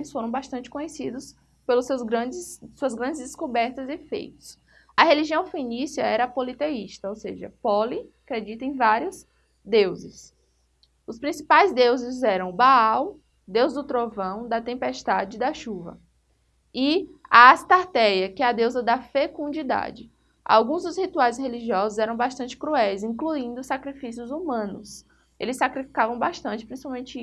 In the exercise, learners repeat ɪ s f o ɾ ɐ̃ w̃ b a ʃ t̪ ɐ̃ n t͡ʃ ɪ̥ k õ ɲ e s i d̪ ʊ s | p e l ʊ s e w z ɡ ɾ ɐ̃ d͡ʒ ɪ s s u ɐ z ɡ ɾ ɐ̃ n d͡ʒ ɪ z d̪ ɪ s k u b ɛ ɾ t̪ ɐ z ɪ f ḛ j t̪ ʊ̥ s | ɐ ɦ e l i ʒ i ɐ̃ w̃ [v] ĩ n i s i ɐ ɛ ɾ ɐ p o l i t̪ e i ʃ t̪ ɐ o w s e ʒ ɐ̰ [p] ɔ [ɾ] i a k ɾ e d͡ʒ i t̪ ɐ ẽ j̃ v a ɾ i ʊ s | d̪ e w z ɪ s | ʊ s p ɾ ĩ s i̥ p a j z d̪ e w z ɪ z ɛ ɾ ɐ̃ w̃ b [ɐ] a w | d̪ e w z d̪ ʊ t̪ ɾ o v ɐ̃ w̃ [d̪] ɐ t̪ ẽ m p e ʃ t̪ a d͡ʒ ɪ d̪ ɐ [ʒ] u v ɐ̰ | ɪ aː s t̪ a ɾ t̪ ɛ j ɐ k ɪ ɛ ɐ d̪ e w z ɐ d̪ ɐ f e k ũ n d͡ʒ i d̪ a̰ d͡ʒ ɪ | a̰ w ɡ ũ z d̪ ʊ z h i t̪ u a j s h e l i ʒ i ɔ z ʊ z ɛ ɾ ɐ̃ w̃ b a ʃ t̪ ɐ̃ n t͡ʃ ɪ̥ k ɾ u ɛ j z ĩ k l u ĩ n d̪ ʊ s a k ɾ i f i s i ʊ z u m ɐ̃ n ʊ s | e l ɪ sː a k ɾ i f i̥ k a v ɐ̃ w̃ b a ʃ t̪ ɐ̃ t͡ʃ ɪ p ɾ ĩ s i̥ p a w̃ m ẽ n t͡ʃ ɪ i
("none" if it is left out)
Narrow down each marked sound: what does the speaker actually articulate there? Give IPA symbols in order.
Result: f, p, l, a, d̪, ʃ

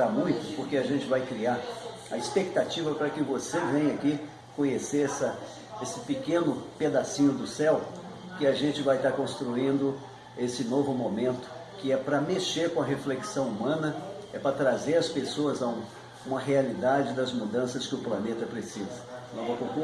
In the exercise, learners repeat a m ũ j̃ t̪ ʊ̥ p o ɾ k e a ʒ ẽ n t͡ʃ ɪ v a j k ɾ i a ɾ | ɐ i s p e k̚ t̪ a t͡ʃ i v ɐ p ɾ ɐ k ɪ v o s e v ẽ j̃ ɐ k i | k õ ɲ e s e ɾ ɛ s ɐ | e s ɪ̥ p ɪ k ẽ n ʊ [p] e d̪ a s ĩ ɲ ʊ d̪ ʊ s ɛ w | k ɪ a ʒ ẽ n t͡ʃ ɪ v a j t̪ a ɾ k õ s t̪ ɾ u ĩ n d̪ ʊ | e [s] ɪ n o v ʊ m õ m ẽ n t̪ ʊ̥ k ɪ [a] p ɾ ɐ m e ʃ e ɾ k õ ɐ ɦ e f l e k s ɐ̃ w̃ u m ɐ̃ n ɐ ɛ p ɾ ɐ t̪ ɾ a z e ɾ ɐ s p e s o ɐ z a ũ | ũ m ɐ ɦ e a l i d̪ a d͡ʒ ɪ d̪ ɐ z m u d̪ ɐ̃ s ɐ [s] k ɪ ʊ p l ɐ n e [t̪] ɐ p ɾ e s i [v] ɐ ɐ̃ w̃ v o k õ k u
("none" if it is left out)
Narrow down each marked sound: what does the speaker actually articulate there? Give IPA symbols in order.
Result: p, s, ɛ, s, t̪, z

